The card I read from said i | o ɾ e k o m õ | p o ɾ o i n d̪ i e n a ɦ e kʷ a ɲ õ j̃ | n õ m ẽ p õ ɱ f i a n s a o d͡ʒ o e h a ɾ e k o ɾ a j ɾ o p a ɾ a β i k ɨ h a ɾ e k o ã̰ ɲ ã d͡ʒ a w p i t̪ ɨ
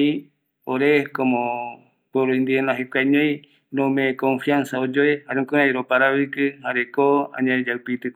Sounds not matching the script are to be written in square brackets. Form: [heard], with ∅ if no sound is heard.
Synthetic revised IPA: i | o ɾ e k o m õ | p o ɾ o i n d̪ i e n a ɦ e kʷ a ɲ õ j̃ | n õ m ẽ [k] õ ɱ f i a n s a o d͡ʒ o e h a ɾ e k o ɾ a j ɾ o p a ɾ a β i k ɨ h a ɾ e k o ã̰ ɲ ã d͡ʒ a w p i t̪ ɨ